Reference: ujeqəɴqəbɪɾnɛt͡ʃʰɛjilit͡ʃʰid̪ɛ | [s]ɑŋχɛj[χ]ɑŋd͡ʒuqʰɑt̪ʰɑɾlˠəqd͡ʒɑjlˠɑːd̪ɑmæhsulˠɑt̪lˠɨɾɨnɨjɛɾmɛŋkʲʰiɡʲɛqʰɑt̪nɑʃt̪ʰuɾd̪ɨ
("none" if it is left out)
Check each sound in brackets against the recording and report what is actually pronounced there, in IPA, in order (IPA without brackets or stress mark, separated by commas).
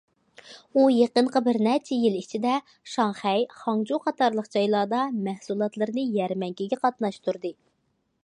ʃ, χ